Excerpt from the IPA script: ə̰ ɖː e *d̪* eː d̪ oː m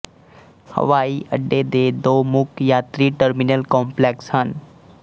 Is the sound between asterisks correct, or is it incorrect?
correct